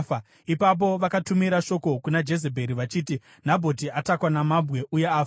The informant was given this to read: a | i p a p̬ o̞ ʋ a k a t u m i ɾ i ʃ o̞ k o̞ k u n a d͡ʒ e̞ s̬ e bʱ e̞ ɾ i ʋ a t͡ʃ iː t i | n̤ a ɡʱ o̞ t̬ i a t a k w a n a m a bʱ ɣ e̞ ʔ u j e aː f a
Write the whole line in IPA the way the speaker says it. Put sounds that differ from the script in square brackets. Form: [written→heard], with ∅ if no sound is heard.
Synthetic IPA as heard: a | i p a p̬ o̞ ʋ a k a t u m i ɾ [i→a] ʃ o̞ k o̞ k u n a d͡ʒ e̞ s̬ e bʱ e̞ ɾ i ʋ a t͡ʃ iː t i | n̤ a [ɡʱ→bʱ] o̞ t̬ i a t a k w a n a m a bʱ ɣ e̞ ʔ u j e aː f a